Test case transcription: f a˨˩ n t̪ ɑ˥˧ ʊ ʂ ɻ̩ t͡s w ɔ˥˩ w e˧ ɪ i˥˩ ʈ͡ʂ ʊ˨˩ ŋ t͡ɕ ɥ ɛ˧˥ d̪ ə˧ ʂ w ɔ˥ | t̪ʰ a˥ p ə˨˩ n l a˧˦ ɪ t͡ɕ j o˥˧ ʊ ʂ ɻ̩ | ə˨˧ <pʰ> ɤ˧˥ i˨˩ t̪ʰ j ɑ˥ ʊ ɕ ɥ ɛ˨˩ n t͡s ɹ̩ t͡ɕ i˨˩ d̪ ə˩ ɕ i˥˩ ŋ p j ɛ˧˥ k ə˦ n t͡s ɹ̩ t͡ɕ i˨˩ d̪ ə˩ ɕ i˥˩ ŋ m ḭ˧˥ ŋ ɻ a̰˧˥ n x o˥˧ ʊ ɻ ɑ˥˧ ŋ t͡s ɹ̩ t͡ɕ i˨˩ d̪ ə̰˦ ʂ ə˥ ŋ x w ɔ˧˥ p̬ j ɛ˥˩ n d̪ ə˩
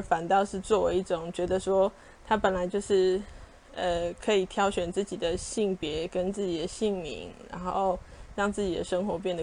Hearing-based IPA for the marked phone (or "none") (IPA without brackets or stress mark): kʰ